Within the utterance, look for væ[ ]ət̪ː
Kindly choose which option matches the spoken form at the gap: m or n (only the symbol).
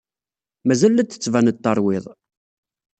n